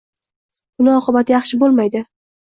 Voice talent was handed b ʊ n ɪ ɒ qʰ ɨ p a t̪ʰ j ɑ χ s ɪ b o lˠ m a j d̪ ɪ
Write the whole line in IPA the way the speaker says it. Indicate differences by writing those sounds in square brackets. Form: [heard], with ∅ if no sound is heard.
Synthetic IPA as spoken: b ʊ n ɪ ɒ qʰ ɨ [b] a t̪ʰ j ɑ χ [ʃ] ɪ b o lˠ m a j d̪ ɪ